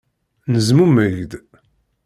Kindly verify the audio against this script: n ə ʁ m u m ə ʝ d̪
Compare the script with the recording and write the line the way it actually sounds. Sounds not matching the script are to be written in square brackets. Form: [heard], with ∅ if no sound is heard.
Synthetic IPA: n ə [z] m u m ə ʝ d̪